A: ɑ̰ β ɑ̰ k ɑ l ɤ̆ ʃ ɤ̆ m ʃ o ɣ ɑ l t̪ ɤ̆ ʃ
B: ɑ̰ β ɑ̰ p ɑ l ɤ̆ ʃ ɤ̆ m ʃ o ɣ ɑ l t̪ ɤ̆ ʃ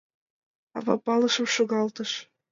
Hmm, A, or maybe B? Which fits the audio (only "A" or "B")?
B